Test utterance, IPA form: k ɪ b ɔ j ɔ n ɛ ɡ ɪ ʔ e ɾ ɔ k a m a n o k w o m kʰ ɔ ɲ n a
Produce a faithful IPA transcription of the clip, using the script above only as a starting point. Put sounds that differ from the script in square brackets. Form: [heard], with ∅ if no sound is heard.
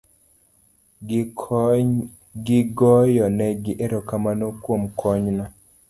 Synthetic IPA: [ɡ] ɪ [ɡ] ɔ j ɔ n ɛ ɡ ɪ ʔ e ɾ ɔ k a m a n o k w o m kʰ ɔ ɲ n a